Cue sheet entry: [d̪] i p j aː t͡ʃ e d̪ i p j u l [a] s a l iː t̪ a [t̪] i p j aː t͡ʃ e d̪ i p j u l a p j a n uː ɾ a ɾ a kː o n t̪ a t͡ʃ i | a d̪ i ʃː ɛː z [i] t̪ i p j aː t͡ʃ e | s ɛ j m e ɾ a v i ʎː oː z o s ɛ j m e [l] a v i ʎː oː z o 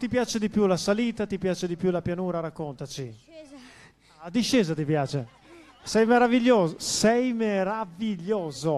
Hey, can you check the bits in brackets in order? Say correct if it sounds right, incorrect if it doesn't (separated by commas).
incorrect, correct, correct, incorrect, incorrect